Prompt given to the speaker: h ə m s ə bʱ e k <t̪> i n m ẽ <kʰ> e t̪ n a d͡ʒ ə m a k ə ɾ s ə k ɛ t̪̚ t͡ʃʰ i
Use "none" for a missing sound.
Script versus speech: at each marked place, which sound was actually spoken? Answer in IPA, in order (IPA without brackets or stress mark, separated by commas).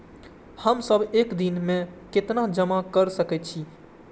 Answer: d̪, k